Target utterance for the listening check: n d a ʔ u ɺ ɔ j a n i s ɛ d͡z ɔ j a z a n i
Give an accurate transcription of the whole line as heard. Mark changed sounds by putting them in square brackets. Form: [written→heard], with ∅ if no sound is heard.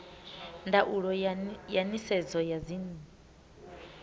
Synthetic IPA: n d a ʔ u ɺ ɔ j a n i s ɛ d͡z ɔ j a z [a→i] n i

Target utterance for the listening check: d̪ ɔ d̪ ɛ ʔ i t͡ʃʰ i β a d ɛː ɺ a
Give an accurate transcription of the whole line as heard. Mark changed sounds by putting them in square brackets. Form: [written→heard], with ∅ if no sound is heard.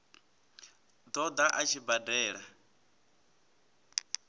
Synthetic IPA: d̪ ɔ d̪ [ɛ→a] ʔ [i→a] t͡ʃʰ i [β→b] a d ɛː ɺ a

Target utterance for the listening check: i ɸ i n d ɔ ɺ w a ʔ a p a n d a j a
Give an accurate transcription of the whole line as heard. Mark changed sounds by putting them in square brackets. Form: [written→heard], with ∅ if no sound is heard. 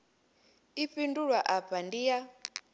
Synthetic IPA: i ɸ i n d [ɔ→u] ɺ w a ʔ a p a n d [a→i] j a

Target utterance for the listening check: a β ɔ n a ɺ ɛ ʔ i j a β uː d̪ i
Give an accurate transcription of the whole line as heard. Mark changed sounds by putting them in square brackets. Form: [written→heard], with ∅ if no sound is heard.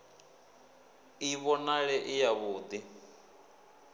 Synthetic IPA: [a→i] β ɔ n a ɺ ɛ ʔ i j a β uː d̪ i

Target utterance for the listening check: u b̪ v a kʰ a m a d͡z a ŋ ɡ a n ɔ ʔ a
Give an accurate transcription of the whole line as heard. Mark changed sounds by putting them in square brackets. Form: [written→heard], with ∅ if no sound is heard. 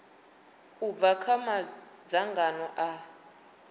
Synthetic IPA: u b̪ v a kʰ a m a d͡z a ŋ ɡ a n ɔ ʔ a

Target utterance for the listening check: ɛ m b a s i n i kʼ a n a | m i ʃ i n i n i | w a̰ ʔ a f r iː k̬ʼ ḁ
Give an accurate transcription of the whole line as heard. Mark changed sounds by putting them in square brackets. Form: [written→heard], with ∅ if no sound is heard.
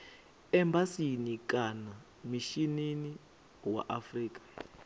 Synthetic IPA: ɛ m b a s i n i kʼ a n a | m i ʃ i n i n i | w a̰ ʔ a f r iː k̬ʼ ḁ

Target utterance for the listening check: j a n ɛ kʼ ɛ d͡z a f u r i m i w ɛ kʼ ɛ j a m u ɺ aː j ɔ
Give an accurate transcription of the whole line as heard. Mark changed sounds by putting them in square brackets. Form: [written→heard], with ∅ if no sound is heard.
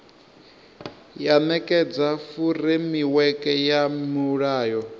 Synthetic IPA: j a n ɛ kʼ ɛ d͡z a f u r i m i w ɛ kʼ ɛ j a m u ɺ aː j ɔ

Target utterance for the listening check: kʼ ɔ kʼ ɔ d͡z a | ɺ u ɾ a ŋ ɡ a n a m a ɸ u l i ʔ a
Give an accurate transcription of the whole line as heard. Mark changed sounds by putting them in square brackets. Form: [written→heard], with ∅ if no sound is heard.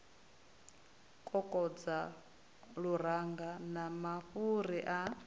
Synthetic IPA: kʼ ɔ kʼ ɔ d͡z a | ɺ u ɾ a ŋ ɡ a n a m a ɸ u [l→ɾ] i ʔ a

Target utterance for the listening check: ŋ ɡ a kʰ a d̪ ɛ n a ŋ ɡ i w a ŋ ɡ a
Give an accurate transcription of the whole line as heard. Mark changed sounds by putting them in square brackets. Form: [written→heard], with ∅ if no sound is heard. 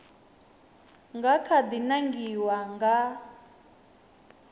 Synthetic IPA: ŋ ɡ a kʰ a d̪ [ɛ→i] n a ŋ ɡ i w a ŋ ɡ a

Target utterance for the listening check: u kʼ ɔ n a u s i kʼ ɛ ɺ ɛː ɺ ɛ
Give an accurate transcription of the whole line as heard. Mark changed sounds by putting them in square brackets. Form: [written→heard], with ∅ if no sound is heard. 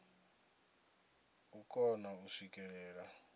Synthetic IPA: u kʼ ɔ n a u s i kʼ ɛ ɺ ɛː ɺ [ɛ→a]

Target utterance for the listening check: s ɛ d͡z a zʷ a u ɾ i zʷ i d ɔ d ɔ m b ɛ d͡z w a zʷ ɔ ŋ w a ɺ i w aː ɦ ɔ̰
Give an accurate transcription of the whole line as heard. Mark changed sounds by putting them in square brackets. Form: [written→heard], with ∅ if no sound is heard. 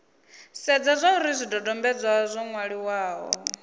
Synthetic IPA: s ɛ d͡z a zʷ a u ɾ i zʷ i d ɔ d ɔ m b ɛ d͡z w a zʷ ɔ ŋ w a ɺ i w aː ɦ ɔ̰

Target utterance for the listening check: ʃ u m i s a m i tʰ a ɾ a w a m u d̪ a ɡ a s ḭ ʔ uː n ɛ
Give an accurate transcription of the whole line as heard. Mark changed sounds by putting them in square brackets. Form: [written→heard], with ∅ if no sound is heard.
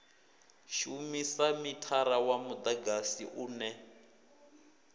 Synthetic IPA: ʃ u m i s a m i tʰ a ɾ a w a m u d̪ a ɡ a s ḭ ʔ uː n ɛ

